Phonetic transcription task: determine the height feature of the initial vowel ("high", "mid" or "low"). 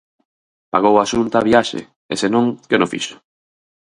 low